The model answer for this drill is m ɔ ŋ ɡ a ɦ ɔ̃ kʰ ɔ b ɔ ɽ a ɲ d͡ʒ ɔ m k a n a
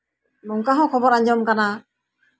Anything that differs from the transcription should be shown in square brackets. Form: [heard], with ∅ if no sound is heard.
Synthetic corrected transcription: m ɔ ŋ [k] a ɦ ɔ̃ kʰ ɔ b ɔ [ɾ] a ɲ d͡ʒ ɔ m k a n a

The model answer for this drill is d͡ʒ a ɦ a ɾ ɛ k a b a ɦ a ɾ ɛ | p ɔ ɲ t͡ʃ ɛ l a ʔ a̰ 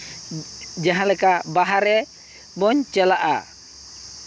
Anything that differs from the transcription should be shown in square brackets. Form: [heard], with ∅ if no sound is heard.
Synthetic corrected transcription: d͡ʒ a ɦ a [l] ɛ k a b a ɦ a ɾ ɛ | [b] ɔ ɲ t͡ʃ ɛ l a ʔ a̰

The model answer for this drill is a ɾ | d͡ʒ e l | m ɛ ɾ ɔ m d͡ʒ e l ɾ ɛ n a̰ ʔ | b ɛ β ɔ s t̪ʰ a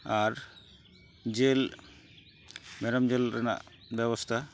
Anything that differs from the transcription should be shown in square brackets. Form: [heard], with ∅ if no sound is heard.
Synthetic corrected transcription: a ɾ | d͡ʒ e l | m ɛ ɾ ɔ m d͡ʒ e l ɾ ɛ n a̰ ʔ | b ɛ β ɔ s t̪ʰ a

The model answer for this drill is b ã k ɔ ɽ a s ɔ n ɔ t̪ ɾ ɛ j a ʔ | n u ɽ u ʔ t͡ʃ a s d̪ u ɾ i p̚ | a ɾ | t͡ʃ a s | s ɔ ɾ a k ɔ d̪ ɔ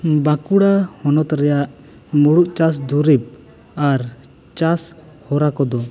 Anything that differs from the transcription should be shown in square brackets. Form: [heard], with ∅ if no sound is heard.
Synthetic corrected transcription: b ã k [u] ɽ a [h] ɔ n ɔ t̪ ɾ ɛ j a ʔ | [m] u ɽ u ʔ t͡ʃ a s d̪ u ɾ i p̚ | a ɾ | t͡ʃ a s | [h] ɔ ɾ a k ɔ d̪ ɔ

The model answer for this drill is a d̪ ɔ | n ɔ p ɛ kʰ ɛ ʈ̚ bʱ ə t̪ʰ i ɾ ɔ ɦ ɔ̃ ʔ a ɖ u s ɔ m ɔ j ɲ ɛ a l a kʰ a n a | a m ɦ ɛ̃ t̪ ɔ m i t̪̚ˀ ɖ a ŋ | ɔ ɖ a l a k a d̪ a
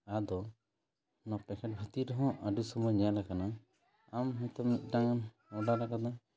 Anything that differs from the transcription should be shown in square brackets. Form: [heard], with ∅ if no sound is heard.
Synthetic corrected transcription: a d̪ ɔ | n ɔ p ɛ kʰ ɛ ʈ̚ bʱ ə [t̪] i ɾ ɔ ɦ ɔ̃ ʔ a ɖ u s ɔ m ɔ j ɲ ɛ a l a [k] a n a | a m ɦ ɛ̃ t̪ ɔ m i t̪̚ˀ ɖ a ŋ | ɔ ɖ a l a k a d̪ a

